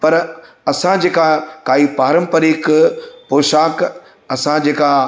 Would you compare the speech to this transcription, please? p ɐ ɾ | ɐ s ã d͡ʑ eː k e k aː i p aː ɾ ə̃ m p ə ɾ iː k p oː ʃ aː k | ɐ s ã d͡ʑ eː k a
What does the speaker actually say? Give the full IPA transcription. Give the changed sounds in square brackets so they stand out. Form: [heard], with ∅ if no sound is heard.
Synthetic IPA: p ɐ ɾ | ɐ s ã d͡ʑ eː k [a] k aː i p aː ɾ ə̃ m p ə ɾ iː k p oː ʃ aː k | ɐ s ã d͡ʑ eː k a